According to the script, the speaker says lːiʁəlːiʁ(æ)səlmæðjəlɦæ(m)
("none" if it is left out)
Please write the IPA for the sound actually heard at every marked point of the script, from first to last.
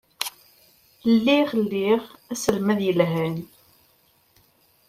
æ, n

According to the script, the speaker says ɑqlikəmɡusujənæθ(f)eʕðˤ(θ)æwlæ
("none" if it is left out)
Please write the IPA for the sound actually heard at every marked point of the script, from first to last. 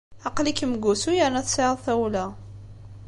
s, θ

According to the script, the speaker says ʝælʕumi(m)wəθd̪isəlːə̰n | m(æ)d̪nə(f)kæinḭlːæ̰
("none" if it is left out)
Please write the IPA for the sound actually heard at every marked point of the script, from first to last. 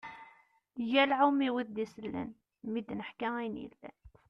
none, i, ħ

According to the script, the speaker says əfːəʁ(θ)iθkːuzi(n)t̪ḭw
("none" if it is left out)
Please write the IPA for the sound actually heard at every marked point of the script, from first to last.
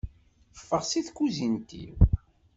s, n

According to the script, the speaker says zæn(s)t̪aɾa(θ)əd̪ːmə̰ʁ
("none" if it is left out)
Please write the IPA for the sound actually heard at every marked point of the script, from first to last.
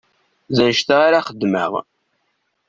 ʃ, χ

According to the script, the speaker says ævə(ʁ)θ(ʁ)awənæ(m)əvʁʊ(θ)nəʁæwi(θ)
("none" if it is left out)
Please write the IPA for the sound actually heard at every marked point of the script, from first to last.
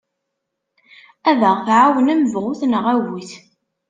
ʁ, ʕ, m, θ, θ

